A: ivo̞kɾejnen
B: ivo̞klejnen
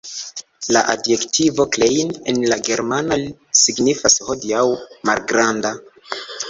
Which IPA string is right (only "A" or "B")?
B